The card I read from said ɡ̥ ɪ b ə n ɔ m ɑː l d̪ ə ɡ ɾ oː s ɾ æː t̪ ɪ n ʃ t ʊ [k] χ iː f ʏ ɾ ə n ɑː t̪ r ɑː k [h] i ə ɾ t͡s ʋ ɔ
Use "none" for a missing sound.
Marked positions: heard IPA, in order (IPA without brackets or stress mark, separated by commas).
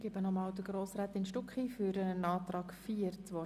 k, f